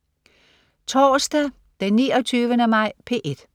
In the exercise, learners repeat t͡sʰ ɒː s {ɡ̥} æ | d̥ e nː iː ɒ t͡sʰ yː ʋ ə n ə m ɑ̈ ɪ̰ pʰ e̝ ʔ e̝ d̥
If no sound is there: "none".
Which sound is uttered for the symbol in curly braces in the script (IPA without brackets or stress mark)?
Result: d̥